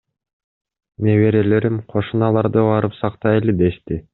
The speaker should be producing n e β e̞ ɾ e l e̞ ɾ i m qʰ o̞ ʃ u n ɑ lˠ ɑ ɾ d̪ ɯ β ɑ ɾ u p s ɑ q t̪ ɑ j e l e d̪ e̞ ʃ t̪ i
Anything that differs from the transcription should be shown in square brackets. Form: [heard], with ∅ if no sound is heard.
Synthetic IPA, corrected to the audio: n e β e̞ ɾ e l e̞ ɾ i m qʰ o̞ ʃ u n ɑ lˠ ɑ ɾ d̪ ɯ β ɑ ɾ [ɯ] p s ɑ q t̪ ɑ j e l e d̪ e̞ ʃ t̪ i